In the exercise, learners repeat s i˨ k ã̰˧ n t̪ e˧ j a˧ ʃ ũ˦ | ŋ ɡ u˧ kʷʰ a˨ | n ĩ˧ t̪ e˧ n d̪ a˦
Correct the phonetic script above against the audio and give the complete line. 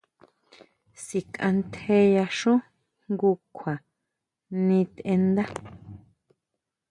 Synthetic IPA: s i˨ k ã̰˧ n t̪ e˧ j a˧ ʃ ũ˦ | ŋ ɡ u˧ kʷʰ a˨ | n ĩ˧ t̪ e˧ n d̪ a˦